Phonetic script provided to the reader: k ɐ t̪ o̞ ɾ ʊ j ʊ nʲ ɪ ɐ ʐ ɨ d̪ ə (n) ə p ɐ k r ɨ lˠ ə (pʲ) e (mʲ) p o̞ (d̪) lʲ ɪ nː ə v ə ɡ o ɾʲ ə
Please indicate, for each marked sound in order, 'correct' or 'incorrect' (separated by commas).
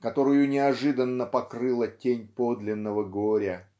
incorrect, incorrect, incorrect, correct